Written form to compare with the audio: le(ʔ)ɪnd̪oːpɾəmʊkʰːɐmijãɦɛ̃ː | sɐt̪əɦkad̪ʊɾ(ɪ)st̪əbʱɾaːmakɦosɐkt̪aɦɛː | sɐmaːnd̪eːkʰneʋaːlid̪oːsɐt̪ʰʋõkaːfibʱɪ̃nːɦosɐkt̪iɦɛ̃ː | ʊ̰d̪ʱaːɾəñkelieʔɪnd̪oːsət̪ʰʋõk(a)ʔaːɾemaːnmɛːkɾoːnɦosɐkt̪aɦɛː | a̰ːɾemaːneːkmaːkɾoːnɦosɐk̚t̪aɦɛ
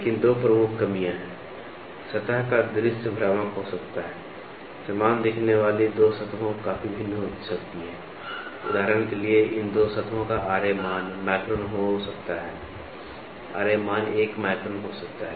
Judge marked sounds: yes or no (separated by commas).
no, yes, yes